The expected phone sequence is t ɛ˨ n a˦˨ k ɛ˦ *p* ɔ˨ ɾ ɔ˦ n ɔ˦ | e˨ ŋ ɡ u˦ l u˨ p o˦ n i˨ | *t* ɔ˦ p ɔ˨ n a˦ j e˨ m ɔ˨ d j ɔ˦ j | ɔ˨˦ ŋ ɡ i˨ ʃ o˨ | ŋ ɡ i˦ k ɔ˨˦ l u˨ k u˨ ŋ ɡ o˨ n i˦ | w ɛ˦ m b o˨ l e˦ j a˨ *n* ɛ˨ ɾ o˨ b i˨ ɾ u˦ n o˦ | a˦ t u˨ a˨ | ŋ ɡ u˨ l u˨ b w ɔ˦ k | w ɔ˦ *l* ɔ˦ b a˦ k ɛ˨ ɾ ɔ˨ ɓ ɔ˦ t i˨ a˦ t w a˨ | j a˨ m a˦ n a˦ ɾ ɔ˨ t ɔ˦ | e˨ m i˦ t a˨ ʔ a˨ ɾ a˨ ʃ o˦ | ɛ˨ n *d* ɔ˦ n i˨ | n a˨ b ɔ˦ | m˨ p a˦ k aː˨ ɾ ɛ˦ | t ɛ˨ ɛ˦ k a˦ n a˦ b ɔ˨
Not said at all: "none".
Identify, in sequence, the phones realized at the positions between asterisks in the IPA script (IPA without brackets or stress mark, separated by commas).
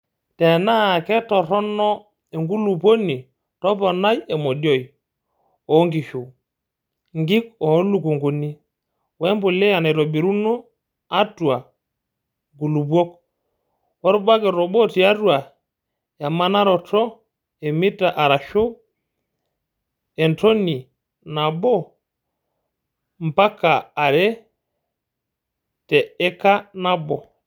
t, t, n, ɾ, t